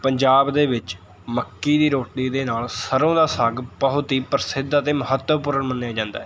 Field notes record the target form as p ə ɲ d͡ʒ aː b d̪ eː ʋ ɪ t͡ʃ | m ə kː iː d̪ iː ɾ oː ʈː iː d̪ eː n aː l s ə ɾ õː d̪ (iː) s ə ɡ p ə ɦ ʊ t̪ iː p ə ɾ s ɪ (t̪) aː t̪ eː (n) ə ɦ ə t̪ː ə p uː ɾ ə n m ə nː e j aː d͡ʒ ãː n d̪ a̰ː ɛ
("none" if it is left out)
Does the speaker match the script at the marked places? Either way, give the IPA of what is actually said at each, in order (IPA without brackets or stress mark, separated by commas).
aː, d̪, m